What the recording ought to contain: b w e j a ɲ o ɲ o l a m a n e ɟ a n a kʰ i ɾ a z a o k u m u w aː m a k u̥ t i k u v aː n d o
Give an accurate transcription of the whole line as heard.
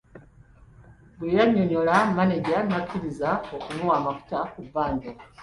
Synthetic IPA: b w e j a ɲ o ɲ o l a m a n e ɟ a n a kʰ i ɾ i z a o k u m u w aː m a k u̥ t a k u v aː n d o